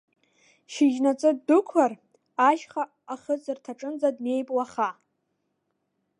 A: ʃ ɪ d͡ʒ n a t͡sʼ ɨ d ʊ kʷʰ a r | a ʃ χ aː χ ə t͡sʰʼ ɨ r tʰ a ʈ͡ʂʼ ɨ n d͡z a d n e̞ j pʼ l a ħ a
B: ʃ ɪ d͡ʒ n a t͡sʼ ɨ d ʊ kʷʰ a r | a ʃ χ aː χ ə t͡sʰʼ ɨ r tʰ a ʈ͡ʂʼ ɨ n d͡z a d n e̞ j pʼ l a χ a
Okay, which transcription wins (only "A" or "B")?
B